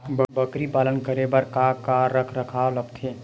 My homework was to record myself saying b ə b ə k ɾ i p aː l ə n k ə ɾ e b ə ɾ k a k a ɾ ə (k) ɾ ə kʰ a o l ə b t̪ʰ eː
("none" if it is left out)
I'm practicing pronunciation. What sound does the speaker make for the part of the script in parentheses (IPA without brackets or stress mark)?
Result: kʰ